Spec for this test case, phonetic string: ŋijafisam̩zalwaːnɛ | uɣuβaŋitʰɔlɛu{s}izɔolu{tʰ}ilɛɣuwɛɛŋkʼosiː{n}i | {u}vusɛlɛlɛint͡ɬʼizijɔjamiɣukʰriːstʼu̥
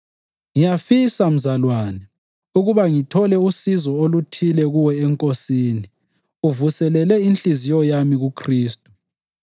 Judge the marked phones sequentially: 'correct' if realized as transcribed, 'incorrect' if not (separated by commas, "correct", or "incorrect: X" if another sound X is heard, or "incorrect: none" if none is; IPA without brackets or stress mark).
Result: correct, correct, correct, correct